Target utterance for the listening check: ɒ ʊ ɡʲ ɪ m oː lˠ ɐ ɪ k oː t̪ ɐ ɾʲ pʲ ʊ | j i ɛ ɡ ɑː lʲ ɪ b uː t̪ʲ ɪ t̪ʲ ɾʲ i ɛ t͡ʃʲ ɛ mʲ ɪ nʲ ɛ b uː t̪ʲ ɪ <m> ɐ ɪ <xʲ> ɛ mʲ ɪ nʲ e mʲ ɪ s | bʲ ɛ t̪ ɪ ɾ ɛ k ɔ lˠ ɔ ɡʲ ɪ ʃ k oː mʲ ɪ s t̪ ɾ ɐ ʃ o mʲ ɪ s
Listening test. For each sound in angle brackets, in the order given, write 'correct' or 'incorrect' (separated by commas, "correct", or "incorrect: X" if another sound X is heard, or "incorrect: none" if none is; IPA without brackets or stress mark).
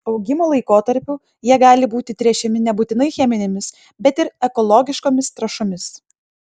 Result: incorrect: n, correct